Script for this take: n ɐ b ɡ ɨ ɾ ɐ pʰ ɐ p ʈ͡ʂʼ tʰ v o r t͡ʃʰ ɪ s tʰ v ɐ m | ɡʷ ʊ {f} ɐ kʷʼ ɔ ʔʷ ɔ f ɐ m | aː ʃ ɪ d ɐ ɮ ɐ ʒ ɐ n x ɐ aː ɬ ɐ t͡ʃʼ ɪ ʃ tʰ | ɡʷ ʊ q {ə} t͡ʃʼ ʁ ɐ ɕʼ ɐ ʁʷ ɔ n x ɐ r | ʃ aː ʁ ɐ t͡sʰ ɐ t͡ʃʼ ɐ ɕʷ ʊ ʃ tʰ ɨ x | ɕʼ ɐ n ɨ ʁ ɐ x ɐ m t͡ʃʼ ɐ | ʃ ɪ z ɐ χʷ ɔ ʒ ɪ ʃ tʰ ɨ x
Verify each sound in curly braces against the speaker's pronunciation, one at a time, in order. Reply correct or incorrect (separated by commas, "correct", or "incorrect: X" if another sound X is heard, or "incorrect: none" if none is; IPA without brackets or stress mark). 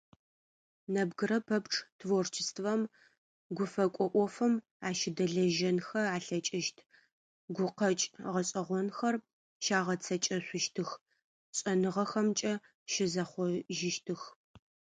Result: correct, incorrect: ɐ